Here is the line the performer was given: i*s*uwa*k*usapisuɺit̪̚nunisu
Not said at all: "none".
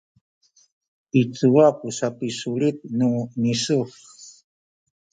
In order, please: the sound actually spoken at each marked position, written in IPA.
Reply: t͡s, p

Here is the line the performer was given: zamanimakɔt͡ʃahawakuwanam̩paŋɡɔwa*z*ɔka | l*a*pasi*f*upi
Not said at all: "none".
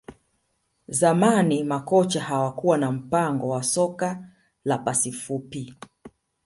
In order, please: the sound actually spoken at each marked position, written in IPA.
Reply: s, a, f

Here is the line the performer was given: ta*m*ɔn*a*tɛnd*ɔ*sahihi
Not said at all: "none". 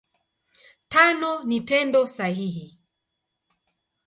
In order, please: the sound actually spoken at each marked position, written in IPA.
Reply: n, i, ɔ

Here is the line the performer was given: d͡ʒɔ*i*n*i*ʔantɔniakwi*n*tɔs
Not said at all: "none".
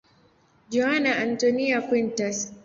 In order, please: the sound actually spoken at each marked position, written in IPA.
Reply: a, a, n

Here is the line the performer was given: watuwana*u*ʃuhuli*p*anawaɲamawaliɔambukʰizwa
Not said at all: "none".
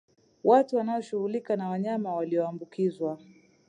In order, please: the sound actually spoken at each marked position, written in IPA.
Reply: ɔ, k

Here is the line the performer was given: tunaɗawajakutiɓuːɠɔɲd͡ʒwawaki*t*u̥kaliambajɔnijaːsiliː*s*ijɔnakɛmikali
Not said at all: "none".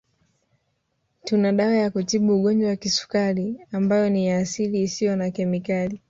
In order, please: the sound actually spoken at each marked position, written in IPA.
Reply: s, s

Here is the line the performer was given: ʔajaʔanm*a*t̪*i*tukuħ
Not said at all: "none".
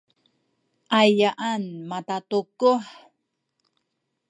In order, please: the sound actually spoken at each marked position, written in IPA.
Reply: a, a

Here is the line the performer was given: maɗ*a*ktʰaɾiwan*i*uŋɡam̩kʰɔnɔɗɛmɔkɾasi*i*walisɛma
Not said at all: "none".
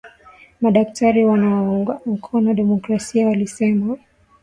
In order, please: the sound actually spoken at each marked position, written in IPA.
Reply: a, a, a

